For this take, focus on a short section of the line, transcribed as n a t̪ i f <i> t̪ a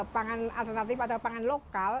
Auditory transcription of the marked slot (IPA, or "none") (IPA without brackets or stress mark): a